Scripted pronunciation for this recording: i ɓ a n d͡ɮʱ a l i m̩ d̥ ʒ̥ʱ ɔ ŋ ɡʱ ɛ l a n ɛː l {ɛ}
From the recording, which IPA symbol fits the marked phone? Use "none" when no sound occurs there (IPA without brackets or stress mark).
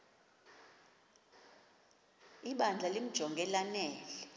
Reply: ɛ